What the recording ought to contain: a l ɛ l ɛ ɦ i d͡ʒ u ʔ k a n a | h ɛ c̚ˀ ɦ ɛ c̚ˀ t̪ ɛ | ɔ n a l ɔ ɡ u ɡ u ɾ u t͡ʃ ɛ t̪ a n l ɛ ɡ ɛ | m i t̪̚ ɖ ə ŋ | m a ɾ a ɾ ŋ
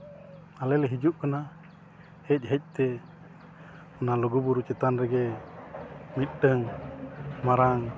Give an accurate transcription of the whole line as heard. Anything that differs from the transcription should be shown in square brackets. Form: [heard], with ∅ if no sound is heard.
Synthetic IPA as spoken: a l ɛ l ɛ ɦ i d͡ʒ u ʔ k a n a | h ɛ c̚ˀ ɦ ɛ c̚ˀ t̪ ɛ | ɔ n a l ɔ ɡ u [b] u ɾ u t͡ʃ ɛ t̪ a n [ɾ] ɛ ɡ ɛ | m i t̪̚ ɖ ə ŋ | m a ɾ a [∅] ŋ

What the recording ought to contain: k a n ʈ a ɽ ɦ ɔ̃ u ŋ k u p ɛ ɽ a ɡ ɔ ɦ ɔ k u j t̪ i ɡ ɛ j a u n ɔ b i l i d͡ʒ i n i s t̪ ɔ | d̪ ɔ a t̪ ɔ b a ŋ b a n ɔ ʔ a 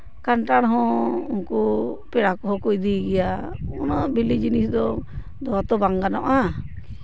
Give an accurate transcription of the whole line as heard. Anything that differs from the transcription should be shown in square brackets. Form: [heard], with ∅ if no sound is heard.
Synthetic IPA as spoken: k a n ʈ a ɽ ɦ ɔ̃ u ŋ k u p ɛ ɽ a [k] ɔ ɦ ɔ k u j [d̪] i ɡ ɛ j a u n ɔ b i l i d͡ʒ i n i s [d̪] ɔ | d̪ ɔ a t̪ ɔ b a ŋ [ɡ] a n ɔ ʔ a

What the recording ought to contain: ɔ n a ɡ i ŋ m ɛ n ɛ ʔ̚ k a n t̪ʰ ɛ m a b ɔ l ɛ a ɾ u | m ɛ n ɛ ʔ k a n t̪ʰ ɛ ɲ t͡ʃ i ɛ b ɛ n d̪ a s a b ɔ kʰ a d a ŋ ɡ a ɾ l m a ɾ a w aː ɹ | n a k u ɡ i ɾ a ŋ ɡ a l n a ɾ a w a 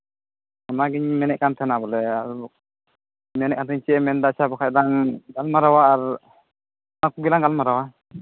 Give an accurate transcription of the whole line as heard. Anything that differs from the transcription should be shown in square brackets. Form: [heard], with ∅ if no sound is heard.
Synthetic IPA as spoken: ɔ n a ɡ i [ɲ] m ɛ n ɛ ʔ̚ k a n t̪ʰ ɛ [n] a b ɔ l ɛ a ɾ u | m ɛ n ɛ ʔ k a n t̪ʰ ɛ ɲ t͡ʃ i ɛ [m] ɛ n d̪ a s a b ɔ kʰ a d a ŋ ɡ a [∅] l m a ɾ a w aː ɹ | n a k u ɡ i [l] a ŋ ɡ a l [m] a ɾ a w a

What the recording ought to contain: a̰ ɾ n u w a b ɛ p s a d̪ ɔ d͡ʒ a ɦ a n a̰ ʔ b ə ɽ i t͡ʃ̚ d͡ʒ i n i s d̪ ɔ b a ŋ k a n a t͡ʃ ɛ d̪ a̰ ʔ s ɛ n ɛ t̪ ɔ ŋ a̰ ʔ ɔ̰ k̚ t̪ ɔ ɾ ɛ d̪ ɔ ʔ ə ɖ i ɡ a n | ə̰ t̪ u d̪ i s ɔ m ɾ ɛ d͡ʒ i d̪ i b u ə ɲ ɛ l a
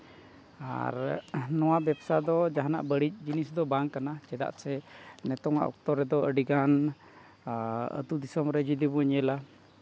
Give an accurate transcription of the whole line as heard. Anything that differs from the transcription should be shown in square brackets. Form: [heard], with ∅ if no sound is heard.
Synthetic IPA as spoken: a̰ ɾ n [ɔ] w a b ɛ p s a d̪ ɔ d͡ʒ a ɦ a n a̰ ʔ b ə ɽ i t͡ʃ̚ d͡ʒ i n i s d̪ ɔ b a ŋ k a n a t͡ʃ ɛ d̪ a̰ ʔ s ɛ n ɛ t̪ ɔ ŋ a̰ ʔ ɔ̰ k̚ t̪ ɔ ɾ ɛ d̪ ɔ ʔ ə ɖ i ɡ a n | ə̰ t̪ u d̪ i s ɔ m ɾ ɛ d͡ʒ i d̪ i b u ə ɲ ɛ l a

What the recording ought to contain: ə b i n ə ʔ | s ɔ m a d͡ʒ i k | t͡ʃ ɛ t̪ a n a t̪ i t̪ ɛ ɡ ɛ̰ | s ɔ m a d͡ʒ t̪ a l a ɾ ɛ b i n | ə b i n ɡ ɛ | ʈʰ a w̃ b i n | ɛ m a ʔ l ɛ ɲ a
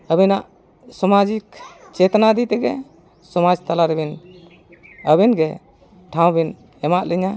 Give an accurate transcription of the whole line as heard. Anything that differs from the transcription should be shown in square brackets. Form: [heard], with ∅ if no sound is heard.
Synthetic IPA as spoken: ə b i n [a] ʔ | s ɔ m a d͡ʒ i k | t͡ʃ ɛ t̪ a n a [d̪] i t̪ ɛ ɡ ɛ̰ | s ɔ m a d͡ʒ t̪ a l a ɾ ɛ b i n | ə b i n ɡ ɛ | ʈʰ a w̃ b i n | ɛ m a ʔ l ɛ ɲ a

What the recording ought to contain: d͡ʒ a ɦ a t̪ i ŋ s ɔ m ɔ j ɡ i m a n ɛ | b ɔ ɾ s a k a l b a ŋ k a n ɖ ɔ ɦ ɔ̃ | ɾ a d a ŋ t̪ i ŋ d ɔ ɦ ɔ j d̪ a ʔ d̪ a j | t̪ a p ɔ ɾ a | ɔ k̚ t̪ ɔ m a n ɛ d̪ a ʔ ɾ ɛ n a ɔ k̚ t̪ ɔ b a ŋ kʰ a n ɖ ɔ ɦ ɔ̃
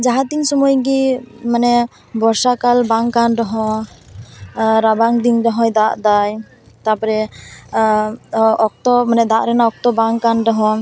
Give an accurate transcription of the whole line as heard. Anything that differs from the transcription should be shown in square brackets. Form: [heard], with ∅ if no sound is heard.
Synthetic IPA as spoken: d͡ʒ a ɦ a t̪ i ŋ s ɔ m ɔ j ɡ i m a n ɛ | b ɔ ɾ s a k a l b a ŋ k a n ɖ ɔ ɦ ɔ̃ | ɾ a [b] a ŋ [d̪] i ŋ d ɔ ɦ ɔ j d̪ a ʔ d̪ a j | t̪ a p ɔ ɾ [ɛ] | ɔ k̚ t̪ ɔ m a n ɛ d̪ a ʔ ɾ ɛ n a ɔ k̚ t̪ ɔ b a ŋ [k] a n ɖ ɔ ɦ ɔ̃

